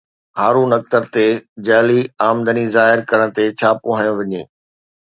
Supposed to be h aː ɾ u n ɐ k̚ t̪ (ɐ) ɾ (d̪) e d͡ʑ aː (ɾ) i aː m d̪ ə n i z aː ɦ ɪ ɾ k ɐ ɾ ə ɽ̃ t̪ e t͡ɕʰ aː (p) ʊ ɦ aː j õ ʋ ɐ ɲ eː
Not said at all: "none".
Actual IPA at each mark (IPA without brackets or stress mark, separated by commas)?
ə, t̪, l, p